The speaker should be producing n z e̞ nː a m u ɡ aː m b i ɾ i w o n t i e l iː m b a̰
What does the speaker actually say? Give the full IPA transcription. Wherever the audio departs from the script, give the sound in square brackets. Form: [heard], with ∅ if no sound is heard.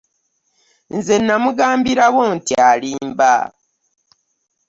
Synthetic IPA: n z e̞ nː a m u ɡ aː m b i ɾ [a] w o n t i [a] l iː m b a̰